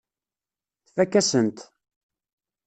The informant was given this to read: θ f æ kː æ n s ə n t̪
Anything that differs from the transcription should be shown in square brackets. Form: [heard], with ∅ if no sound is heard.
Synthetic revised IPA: θ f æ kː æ [∅] s ə n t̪